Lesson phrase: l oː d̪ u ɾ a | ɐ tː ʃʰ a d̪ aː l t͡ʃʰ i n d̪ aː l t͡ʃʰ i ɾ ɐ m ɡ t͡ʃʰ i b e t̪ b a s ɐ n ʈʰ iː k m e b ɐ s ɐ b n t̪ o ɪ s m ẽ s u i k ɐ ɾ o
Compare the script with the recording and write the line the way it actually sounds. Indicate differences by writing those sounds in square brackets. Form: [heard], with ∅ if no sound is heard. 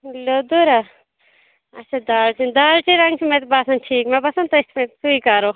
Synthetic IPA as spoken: l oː d̪ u ɾ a | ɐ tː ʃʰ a d̪ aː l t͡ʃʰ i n d̪ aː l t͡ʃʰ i ɾ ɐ [ŋ] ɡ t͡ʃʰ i [m] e t̪ b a s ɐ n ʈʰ iː k m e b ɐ s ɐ [∅] n t̪ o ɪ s m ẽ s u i k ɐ ɾ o